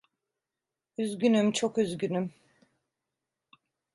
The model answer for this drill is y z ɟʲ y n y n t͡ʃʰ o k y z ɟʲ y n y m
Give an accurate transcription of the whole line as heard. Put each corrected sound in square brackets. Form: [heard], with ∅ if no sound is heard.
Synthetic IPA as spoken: y z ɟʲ y n y [m] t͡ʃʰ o k y z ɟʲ y n y m